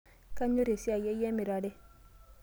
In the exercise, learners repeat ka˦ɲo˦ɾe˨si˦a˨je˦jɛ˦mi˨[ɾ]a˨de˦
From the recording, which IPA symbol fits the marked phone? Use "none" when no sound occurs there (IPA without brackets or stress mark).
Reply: ɾ